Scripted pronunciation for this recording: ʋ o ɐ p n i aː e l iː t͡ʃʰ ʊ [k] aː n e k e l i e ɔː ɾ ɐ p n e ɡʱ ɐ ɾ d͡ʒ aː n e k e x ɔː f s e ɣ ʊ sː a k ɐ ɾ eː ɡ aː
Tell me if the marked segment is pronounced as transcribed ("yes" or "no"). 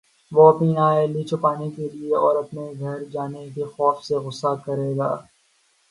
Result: no